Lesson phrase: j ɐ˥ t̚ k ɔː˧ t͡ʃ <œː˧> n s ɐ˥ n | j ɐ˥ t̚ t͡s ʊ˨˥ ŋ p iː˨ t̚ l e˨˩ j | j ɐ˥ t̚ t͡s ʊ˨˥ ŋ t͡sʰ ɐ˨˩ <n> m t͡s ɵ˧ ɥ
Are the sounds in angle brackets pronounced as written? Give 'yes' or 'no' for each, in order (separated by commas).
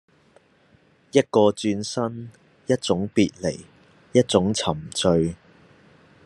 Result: no, no